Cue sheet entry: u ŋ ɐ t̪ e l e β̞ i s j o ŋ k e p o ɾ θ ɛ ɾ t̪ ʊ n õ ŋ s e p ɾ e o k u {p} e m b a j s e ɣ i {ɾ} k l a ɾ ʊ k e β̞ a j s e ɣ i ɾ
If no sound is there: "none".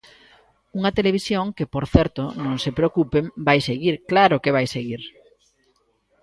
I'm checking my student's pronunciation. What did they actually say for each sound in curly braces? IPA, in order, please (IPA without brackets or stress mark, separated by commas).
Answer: p, ɾ